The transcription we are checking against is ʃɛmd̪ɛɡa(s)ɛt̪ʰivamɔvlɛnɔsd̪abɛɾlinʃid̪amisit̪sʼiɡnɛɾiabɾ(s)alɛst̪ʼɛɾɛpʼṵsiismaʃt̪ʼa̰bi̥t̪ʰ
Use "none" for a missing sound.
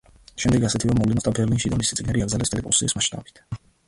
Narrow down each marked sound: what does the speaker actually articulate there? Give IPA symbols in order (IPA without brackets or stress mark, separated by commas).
s, z